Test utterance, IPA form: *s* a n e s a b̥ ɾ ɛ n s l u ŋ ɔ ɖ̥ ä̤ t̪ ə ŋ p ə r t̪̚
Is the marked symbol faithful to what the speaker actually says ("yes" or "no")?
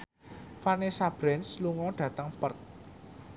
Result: no